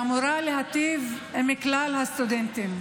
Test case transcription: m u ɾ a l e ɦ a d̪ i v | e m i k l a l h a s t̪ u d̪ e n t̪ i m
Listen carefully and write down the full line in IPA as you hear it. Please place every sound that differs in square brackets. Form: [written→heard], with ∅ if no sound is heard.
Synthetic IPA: m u ɾ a l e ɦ a [d̪→t̪] i v | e m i k l a l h a s t̪ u d̪ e n t̪ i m